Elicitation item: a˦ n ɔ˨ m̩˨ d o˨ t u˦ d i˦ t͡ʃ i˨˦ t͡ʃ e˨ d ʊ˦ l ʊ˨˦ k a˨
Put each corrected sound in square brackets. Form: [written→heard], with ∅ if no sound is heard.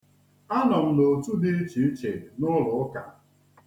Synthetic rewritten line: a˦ n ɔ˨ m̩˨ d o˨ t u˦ d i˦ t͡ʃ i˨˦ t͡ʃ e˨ [d→n] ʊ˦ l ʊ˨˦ k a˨